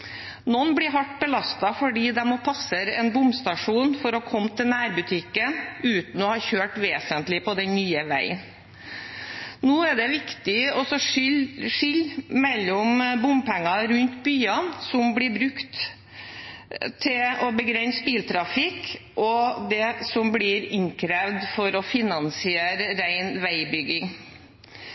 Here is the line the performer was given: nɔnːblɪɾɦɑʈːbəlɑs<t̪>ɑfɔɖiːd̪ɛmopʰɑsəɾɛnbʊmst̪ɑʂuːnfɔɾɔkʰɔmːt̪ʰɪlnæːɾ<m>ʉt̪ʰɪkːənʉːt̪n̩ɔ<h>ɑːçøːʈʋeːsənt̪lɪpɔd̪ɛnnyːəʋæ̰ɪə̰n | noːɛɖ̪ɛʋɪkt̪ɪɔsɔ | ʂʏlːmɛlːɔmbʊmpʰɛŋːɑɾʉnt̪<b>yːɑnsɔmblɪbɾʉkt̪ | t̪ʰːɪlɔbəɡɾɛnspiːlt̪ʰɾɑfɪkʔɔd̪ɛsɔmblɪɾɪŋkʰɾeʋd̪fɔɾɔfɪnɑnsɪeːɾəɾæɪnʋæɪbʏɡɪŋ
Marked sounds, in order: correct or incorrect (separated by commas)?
correct, incorrect, correct, correct